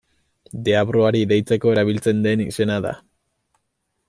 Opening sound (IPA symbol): d̪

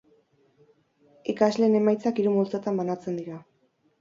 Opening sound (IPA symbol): i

